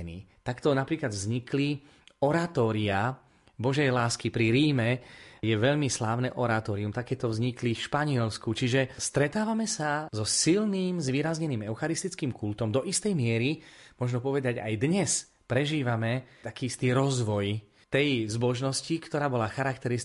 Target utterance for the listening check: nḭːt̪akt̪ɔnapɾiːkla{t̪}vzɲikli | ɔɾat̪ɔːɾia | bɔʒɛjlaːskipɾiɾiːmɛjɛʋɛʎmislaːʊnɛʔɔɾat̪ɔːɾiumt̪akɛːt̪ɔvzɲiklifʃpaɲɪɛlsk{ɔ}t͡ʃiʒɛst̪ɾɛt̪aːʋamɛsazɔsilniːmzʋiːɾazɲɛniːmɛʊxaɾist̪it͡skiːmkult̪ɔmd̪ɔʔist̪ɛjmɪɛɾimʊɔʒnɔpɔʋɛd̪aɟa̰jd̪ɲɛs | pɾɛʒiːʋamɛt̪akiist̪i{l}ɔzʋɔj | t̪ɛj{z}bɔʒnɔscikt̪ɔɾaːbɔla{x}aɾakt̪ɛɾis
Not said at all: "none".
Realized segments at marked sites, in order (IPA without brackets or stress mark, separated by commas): d̪, u, ɾ, z, x